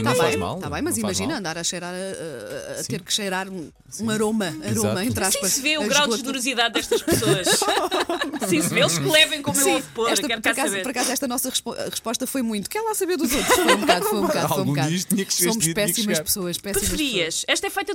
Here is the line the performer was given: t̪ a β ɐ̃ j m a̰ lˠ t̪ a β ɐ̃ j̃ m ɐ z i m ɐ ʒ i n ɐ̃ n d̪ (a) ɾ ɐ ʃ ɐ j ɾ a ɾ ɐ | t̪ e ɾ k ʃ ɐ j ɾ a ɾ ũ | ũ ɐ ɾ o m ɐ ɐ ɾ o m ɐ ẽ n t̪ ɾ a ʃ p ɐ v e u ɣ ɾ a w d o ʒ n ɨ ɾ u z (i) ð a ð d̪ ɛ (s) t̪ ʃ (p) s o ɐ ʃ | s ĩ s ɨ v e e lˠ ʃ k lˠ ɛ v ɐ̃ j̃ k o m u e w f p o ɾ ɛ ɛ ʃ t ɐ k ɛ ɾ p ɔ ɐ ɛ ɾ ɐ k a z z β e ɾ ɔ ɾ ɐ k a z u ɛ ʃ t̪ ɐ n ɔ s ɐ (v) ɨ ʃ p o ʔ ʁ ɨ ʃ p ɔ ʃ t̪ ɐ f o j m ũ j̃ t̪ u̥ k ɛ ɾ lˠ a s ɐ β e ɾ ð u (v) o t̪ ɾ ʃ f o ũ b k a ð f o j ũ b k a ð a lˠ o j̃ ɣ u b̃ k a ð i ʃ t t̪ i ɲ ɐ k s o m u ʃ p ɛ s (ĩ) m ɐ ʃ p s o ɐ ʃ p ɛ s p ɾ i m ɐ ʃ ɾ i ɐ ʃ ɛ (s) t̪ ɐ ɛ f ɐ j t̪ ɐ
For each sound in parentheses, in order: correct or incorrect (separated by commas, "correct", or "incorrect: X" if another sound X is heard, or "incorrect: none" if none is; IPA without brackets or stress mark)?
correct, correct, incorrect: ʃ, correct, incorrect: ʁ, incorrect: z, incorrect: i, incorrect: ʃ